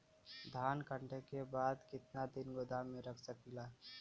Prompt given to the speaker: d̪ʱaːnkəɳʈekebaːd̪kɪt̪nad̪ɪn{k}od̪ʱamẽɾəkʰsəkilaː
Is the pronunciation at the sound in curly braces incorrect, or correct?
incorrect